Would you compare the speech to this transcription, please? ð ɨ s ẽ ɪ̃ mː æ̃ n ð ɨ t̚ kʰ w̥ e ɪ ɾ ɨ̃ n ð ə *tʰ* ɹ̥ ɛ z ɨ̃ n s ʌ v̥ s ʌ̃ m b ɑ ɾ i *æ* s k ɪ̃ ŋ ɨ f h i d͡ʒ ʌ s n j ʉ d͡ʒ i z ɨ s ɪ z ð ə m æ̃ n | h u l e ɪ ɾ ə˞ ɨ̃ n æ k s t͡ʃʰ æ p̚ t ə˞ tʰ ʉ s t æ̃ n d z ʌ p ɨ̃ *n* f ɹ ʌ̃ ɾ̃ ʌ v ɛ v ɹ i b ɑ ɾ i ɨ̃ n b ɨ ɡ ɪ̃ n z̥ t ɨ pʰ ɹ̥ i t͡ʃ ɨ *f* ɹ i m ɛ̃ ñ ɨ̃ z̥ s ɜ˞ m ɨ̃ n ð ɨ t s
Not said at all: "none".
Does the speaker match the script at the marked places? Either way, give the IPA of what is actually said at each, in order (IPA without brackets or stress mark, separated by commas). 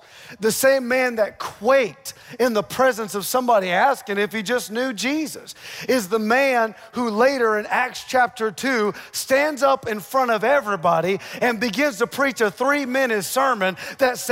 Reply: pʰ, æ, n, θ